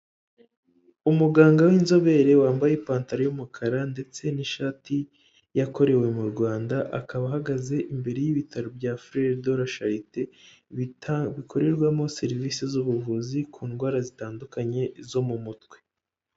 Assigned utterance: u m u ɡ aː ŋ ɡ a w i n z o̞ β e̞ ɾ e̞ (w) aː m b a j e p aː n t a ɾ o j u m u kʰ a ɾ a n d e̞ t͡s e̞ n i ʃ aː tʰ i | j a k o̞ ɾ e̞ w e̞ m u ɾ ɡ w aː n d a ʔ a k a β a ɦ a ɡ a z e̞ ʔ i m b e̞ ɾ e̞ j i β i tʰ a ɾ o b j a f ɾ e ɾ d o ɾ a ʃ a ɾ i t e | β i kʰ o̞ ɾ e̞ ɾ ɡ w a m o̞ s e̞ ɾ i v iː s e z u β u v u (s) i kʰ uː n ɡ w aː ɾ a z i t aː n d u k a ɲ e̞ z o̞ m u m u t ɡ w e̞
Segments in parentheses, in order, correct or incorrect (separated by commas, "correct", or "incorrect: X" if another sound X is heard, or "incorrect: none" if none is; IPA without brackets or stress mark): correct, incorrect: z